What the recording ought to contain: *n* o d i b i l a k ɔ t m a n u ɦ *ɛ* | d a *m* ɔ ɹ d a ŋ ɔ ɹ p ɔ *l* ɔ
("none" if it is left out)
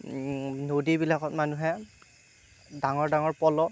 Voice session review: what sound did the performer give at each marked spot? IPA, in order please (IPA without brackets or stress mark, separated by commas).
n, ɛ, ŋ, l